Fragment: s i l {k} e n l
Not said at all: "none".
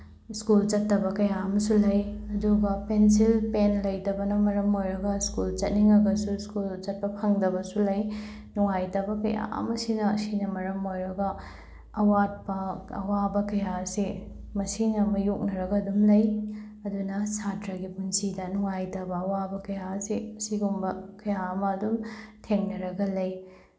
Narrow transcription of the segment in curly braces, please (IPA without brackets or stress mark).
p